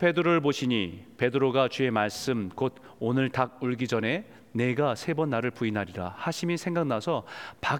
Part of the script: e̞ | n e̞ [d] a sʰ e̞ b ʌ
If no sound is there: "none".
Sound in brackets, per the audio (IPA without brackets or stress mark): ɡ